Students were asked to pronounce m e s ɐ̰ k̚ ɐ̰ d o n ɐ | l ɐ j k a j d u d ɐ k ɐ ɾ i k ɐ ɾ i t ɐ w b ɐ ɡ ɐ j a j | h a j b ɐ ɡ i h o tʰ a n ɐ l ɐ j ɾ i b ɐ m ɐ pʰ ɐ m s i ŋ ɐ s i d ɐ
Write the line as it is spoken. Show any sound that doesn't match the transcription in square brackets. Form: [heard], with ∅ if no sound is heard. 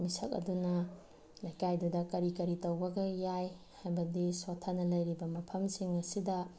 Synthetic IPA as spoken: m [i] s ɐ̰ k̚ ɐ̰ d [u] n ɐ | l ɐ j k a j d u d ɐ k ɐ ɾ i k ɐ ɾ i t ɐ w b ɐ ɡ ɐ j a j | h a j b ɐ [d] i [s] o tʰ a n ɐ l ɐ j ɾ i b ɐ m ɐ pʰ ɐ m s i ŋ ɐ s i d ɐ